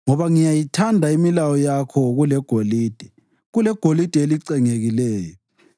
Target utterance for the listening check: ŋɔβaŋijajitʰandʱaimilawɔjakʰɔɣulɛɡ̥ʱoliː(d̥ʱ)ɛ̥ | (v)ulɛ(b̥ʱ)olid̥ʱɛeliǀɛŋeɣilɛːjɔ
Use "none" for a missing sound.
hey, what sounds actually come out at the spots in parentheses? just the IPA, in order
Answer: d̥ʱ, ɣ, ɡ̥ʱ

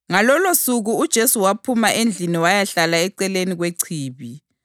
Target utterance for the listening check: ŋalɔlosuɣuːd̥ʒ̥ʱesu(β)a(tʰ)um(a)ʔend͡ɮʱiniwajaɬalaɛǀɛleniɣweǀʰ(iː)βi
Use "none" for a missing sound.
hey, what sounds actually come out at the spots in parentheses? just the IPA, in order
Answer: w, pʰ, a, iː

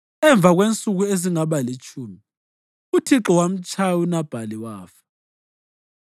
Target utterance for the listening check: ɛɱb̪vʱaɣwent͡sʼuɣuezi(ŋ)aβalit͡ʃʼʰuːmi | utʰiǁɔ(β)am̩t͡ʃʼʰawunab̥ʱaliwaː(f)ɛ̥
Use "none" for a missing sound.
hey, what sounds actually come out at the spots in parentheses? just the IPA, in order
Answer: ŋ, w, f

